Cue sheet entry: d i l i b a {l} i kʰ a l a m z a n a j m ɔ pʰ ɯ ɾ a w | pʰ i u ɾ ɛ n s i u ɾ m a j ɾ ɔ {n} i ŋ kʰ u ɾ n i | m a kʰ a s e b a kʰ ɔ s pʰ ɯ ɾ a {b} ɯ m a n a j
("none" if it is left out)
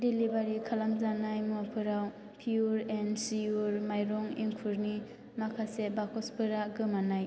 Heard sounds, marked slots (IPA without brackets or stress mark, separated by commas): ɾ, ŋ, ɡ